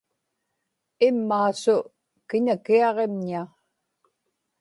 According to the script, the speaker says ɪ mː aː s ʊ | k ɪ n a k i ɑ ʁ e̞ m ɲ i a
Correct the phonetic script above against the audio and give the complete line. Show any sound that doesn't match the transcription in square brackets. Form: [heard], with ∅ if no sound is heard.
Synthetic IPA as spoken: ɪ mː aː s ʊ | k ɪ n a k i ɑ ʁ e̞ m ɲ i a